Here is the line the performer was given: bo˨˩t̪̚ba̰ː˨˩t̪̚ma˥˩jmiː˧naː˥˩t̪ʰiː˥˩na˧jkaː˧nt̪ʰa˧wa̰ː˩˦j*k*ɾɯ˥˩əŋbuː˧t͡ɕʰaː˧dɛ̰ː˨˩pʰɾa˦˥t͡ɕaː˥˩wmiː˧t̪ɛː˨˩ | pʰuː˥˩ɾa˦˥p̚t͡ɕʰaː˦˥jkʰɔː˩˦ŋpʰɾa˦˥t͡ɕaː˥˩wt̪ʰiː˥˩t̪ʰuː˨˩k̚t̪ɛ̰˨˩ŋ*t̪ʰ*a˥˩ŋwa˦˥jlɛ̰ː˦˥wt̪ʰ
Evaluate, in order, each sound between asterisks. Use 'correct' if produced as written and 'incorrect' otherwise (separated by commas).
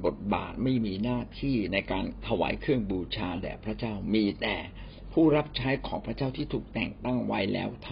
incorrect, incorrect